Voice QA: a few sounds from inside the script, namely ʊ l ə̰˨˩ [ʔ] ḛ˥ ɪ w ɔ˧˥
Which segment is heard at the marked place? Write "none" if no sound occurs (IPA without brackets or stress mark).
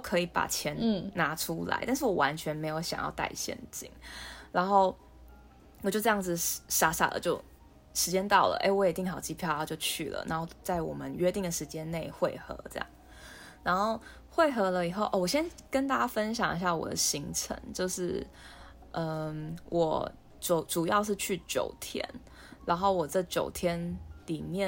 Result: ʔ